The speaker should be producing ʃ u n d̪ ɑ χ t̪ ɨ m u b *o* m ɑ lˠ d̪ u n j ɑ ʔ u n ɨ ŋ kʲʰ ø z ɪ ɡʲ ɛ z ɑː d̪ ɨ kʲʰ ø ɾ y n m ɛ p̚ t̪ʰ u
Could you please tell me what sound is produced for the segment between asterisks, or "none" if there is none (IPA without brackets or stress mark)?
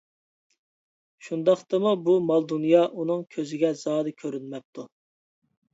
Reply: u